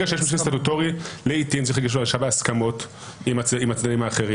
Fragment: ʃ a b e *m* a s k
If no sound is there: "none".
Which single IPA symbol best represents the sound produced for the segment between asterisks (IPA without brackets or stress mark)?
none